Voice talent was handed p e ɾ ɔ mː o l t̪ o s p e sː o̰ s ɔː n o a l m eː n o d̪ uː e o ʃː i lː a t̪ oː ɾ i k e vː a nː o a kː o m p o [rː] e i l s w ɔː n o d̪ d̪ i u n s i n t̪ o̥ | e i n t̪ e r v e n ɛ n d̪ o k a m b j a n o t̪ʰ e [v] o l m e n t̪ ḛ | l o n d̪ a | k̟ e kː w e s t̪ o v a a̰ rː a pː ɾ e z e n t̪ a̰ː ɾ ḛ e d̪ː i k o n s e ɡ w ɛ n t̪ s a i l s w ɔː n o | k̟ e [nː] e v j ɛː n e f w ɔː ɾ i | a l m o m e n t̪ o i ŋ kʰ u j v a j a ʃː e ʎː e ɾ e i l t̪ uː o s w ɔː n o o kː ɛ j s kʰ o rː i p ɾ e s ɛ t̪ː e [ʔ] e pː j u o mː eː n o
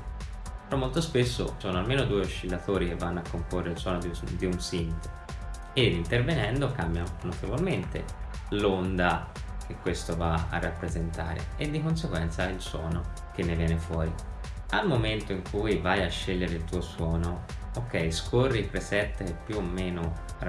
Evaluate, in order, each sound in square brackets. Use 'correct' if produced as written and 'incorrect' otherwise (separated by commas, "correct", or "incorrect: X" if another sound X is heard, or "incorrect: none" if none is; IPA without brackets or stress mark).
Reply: correct, correct, correct, incorrect: k